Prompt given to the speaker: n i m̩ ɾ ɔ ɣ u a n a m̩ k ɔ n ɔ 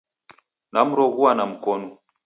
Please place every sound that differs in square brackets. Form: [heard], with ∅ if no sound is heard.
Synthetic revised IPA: n [a] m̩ ɾ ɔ ɣ u a n a m̩ k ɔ n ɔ